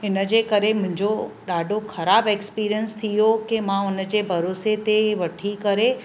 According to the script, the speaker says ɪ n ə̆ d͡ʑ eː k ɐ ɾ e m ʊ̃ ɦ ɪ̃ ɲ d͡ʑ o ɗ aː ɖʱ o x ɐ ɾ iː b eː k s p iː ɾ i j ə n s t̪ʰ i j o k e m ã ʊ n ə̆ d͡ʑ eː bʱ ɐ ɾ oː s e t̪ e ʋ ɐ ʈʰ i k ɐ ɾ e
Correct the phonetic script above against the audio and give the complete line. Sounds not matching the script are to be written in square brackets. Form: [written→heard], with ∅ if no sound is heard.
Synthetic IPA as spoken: ɪ n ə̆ d͡ʑ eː k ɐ ɾ e m ʊ̃ ɦ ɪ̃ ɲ d͡ʑ o ɗ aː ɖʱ o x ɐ ɾ [iː→aː] b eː k s p iː ɾ i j ə n s t̪ʰ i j o k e m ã ʊ n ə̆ d͡ʑ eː bʱ ɐ ɾ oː s e t̪ e ʋ ɐ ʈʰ i k ɐ ɾ e